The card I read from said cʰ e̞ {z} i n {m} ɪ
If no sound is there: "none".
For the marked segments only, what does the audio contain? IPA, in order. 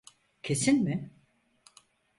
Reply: s, m

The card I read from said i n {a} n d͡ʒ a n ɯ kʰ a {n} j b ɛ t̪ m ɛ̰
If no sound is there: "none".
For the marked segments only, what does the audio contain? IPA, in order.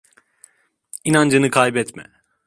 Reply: a, none

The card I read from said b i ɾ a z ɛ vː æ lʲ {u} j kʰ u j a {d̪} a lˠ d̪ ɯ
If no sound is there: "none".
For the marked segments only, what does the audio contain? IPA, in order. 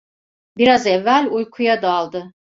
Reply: u, d̪

